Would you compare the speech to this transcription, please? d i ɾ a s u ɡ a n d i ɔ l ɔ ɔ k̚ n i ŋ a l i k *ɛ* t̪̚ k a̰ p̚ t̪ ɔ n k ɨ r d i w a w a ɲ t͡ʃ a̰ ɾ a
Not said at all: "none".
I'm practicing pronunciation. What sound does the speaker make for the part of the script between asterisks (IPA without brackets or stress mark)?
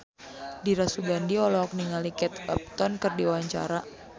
ɛ